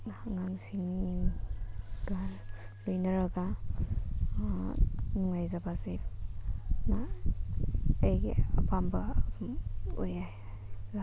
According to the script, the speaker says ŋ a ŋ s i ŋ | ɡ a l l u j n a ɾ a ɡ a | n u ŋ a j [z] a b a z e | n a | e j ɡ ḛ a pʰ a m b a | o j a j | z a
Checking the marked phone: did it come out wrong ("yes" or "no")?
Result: no